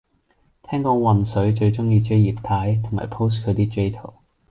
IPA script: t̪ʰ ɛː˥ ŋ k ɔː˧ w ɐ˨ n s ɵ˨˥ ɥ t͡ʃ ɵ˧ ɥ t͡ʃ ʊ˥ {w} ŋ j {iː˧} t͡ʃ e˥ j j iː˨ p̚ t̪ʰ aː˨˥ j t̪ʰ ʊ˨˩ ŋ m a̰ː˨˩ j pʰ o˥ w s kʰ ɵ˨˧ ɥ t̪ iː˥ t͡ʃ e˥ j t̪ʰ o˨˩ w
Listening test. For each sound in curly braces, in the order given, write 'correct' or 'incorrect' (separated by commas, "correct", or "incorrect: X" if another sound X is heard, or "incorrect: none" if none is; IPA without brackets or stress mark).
incorrect: none, correct